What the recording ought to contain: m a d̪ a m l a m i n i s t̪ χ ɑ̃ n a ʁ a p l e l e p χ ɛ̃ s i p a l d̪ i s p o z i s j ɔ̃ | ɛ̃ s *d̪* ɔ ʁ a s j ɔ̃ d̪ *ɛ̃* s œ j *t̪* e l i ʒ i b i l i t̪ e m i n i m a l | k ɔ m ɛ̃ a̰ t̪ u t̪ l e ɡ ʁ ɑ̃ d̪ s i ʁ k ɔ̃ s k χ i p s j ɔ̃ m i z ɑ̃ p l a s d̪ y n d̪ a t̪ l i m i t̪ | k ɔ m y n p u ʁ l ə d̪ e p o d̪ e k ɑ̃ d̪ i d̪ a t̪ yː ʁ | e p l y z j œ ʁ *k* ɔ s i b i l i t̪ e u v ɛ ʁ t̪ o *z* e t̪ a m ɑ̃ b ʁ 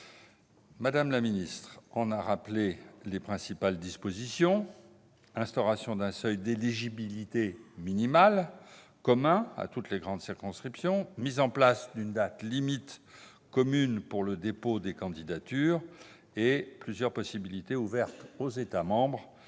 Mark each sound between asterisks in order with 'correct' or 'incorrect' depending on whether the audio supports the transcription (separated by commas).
incorrect, correct, incorrect, incorrect, correct